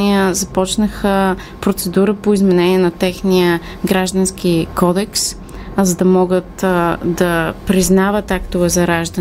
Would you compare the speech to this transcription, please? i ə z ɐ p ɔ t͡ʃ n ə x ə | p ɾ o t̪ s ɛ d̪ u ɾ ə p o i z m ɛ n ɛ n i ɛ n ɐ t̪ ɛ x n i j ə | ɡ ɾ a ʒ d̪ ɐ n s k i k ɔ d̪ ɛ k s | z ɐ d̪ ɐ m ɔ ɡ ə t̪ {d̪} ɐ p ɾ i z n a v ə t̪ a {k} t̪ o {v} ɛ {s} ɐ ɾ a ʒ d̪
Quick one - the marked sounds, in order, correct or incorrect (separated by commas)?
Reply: correct, correct, correct, incorrect